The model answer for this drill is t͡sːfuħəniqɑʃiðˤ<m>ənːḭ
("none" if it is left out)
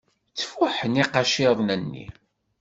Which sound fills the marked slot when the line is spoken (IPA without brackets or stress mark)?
n